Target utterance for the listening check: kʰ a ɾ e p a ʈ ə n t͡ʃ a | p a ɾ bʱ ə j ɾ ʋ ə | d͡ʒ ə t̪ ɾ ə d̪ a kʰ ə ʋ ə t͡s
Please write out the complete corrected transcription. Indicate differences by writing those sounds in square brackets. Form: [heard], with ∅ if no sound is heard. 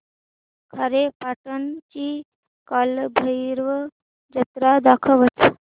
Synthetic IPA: kʰ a ɾ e p a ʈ ə n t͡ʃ [i] | [k] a [l] bʱ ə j ɾ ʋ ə | d͡ʒ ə t̪ ɾ [a] d̪ a kʰ ə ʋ ə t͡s